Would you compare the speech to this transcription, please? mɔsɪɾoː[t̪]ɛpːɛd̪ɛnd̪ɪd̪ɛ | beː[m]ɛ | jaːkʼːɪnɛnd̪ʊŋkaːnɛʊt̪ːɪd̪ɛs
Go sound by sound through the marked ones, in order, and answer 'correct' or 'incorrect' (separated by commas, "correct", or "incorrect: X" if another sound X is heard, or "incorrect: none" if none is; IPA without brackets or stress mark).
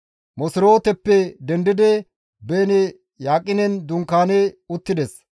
correct, incorrect: n